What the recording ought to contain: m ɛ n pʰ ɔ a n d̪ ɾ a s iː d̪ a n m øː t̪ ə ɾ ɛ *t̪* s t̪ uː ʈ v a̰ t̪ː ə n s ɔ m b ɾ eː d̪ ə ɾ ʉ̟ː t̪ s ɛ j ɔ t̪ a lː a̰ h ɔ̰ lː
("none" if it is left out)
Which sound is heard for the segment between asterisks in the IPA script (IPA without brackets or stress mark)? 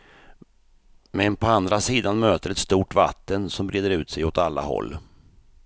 t̪